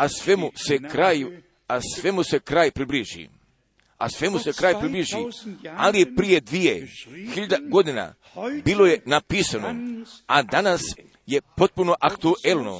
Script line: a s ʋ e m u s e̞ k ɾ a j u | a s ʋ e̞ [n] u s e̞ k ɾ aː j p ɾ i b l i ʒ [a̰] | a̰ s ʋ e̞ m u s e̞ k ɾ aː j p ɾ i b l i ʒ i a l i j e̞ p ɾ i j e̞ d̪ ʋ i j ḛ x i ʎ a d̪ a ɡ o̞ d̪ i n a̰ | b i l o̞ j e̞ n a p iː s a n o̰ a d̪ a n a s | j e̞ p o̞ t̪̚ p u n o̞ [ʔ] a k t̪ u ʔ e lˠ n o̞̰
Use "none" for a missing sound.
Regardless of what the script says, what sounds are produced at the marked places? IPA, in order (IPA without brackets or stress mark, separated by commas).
m, ḭ, ʔ